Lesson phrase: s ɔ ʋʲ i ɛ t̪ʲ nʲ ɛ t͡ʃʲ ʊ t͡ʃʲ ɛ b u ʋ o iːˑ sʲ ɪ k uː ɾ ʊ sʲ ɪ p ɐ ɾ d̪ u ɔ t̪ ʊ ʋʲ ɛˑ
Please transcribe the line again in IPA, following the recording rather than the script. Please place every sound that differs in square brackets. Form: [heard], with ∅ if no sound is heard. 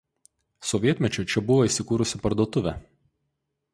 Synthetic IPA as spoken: s ɔ ʋʲ i ɛ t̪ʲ [mʲ] ɛ t͡ʃʲ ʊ t͡ʃʲ ɛ b [ʊ] ʋ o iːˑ sʲ ɪ k uː ɾ ʊ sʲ ɪ p ɐ ɾ d̪ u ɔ t̪ ʊ ʋʲ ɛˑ